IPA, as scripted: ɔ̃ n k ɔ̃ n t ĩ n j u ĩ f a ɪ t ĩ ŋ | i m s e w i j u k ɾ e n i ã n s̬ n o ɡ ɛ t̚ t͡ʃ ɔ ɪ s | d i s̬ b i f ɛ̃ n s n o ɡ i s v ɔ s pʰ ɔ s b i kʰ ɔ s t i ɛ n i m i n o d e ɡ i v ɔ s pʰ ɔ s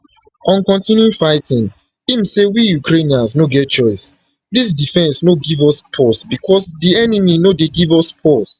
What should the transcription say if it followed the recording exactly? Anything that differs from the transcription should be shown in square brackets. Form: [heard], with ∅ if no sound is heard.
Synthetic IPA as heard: ɔ̃ n k ɔ̃ n t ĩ n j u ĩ f a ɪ t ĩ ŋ | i m s e w i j u k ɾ e n i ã n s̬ n o ɡ ɛ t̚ t͡ʃ ɔ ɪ s | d i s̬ [d] i f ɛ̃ n s n o ɡ i [∅] v ɔ s pʰ ɔ s b i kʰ ɔ s [d] i ɛ n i m i n o d e ɡ i v ɔ s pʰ ɔ s